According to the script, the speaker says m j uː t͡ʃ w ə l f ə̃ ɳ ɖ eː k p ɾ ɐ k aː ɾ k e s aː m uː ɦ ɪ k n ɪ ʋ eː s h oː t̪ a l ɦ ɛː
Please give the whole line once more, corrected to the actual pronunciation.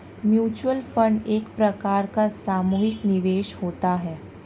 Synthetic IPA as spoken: m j uː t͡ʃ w ə l f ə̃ ɳ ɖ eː k p ɾ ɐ k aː ɾ k a s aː m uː ɦ ɪ k n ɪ ʋ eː ʃ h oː t̪ a ɦ ɛː

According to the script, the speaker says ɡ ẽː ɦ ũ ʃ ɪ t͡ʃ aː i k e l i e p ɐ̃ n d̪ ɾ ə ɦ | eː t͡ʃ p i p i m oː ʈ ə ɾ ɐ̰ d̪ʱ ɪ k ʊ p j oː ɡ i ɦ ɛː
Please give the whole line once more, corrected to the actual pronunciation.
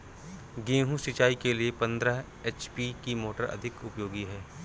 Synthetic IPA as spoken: ɡ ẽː ɦ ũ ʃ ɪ t͡ʃ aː i k e l i e p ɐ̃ n d̪ ɾ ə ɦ | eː t͡ʃ p i k i m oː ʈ ə ɾ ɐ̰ d̪ʱ ɪ k ʊ p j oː ɡ i ɦ ɛː

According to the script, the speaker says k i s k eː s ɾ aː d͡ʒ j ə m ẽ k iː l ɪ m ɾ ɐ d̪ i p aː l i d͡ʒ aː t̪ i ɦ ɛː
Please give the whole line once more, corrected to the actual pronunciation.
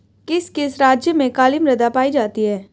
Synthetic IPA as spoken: k ɪ s k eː s ɾ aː d͡ʒ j ə m ẽ k aː l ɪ m ɾ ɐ d̪ a p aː i d͡ʒ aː t̪ i ɦ ɛː

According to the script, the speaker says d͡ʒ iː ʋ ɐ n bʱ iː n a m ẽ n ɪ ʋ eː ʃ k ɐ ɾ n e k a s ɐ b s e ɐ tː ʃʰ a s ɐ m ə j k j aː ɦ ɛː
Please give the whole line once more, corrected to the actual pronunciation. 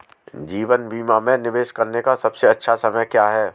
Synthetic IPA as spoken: d͡ʒ iː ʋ ə n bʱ iː m a m ẽ n ɪ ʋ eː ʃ k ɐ ɾ n e k a s ɐ b s e ɐ tː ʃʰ a s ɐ m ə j k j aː ɦ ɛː

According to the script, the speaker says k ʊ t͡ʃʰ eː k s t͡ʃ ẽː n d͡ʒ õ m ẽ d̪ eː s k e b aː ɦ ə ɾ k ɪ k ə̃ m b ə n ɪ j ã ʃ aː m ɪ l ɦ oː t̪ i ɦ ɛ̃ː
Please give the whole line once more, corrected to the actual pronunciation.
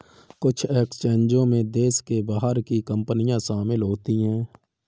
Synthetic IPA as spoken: k ʊ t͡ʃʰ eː k s t͡ʃ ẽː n d͡ʒ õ m ẽ d̪ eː s k e b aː ɦ ə ɾ k i k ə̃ m p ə n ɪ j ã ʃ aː m ɪ l ɦ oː t̪ i ɦ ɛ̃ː

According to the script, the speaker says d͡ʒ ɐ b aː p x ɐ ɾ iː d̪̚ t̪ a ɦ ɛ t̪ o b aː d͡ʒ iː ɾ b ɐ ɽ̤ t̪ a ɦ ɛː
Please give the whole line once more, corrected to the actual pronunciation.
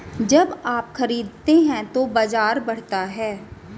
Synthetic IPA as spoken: d͡ʒ ɐ b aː p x ɐ ɾ iː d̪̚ t̪ e ɦ ɛ̃ t̪ o b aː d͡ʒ aː ɾ b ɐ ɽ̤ t̪ a ɦ ɛː

